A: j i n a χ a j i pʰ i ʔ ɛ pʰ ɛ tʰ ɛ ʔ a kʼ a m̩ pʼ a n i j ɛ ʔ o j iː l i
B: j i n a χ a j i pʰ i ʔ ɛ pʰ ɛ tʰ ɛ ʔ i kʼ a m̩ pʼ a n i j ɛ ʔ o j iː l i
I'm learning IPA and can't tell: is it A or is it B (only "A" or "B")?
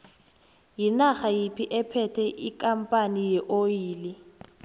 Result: B